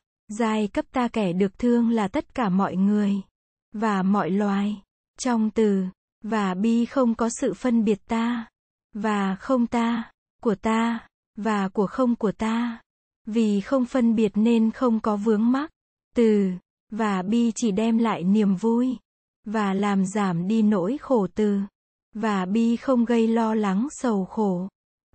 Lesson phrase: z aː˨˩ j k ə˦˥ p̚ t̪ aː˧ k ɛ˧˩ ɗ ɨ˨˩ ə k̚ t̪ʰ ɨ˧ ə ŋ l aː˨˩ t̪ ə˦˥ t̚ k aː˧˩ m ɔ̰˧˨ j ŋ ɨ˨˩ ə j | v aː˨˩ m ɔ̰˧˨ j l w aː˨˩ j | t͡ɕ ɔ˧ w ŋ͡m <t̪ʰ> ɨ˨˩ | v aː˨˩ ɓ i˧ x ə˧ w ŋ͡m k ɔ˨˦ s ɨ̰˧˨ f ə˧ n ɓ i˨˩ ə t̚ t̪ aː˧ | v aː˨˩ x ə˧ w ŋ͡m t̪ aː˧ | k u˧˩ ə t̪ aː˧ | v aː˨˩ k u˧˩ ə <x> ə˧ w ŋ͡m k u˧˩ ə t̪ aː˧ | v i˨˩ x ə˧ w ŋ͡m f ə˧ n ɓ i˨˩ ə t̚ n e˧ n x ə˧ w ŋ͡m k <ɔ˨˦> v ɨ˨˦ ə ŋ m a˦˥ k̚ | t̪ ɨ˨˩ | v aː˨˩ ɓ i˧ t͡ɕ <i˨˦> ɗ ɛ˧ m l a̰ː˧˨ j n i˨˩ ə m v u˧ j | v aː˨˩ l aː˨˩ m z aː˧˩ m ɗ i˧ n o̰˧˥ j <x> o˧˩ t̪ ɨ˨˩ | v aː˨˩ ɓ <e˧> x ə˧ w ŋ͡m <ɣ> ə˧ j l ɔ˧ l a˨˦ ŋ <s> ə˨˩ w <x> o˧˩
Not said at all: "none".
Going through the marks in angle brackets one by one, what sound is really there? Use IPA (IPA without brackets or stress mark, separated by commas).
t̪, x, ɔ˨˦, i˧˩, x, i˧, ɣ, s, x